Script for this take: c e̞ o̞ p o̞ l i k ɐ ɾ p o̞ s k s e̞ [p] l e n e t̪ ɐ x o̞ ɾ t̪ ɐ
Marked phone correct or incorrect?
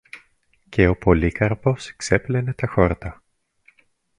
correct